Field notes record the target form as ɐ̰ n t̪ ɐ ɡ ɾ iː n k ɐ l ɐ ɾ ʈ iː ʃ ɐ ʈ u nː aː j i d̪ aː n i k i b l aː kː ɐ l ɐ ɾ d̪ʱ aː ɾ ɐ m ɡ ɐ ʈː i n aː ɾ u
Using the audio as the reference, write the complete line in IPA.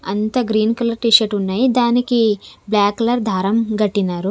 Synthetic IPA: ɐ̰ n t̪ ɐ ɡ ɾ iː n k ɐ l ɐ ɾ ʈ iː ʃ ɐ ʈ u nː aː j i d̪ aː n i k i b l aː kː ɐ l ɐ ɾ d̪ʱ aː ɾ ɐ m ɡ ɐ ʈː i n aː ɾ u